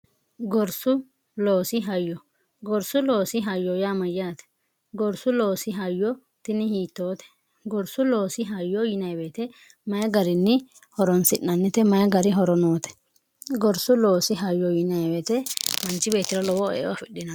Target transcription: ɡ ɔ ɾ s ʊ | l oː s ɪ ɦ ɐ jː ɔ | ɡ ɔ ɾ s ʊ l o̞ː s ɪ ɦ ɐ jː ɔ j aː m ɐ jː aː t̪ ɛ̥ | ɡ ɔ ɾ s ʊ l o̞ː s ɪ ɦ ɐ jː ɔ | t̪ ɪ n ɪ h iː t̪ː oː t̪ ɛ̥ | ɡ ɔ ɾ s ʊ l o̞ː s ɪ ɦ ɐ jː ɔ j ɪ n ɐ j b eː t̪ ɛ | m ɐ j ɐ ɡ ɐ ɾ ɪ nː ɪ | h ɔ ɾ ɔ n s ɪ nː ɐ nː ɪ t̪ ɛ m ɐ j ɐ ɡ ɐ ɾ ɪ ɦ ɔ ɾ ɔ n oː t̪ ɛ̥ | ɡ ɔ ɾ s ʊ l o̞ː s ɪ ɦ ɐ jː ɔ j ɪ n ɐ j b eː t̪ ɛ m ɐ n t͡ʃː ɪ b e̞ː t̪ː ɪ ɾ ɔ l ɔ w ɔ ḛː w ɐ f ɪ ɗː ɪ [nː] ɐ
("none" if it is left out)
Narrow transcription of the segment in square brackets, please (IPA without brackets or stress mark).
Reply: n